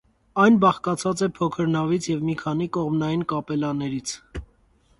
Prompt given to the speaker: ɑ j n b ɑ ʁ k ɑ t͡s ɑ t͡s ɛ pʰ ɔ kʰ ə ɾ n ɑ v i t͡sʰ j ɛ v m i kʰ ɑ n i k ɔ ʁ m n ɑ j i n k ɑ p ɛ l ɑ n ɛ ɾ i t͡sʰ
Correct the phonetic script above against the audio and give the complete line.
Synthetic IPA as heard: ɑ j n b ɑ χ k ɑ t͡sʰ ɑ t͡s ɛ pʰ ɔ kʰ ə ɾ n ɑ v i t͡sʰ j ɛ v m i kʰ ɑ n i k ɔ ʁ m n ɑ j i n k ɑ p ɛ l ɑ n ɛ ɾ i t͡sʰ